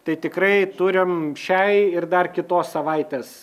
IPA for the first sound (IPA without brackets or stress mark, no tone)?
t̪